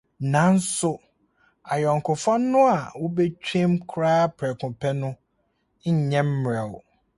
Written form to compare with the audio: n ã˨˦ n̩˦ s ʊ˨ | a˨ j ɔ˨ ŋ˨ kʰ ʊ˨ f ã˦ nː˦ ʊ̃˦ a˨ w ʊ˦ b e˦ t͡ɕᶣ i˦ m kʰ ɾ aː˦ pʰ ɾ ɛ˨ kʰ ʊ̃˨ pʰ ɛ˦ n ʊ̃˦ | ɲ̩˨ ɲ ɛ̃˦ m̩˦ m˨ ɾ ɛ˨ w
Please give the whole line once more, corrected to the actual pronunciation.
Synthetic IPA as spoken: n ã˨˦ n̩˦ s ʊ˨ | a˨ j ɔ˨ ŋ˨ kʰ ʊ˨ f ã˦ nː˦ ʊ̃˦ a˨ w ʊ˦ b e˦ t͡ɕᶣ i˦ m kʰ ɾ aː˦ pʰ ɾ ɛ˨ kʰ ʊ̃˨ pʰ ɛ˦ n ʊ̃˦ | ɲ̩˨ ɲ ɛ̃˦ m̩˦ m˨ ɾ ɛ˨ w